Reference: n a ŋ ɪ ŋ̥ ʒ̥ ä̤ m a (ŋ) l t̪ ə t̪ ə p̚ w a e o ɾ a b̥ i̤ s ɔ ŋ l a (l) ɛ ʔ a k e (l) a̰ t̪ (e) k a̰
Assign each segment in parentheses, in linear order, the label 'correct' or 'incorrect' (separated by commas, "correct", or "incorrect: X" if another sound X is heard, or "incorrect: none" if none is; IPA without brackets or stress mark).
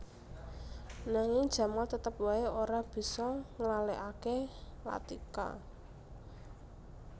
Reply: incorrect: none, correct, correct, incorrect: i